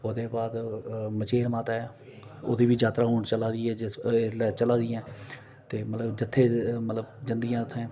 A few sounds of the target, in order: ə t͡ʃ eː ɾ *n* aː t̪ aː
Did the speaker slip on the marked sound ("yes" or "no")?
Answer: yes